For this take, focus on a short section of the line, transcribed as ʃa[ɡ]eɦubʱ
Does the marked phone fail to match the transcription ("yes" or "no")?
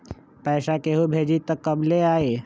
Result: yes